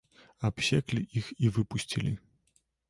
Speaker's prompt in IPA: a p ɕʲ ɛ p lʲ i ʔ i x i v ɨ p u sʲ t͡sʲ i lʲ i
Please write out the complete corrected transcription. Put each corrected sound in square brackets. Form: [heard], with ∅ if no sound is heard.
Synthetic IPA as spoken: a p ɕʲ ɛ [k] lʲ i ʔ i x i v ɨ p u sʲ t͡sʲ i lʲ i